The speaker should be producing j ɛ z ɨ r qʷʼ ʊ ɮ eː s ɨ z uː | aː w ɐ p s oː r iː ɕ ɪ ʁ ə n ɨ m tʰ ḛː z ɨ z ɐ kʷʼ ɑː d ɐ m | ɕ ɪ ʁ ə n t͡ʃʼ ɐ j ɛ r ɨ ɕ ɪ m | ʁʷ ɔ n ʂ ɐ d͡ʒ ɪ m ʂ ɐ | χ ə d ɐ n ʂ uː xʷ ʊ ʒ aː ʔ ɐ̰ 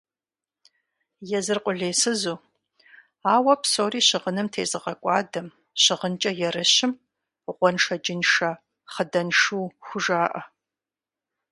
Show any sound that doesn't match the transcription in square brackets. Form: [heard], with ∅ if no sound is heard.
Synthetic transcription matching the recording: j ɛ z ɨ r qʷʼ ʊ ɮ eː s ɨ z uː | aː w ɐ p s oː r iː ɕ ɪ ʁ ə n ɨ m tʰ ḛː z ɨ [ʁ] ɐ kʷʼ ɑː d ɐ m | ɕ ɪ ʁ ə n t͡ʃʼ ɐ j ɛ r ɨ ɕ ɪ m | ʁʷ ɔ n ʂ ɐ d͡ʒ ɪ [n] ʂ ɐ | χ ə d ɐ n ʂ uː xʷ ʊ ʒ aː ʔ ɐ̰